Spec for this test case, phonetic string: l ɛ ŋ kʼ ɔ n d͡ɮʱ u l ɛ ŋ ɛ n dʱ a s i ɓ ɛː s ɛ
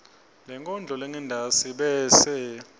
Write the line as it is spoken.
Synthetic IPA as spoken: l ɛ ŋ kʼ ɔ n d͡ɮʱ ɔ l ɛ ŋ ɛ n dʱ a s i ɓ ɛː s ɛ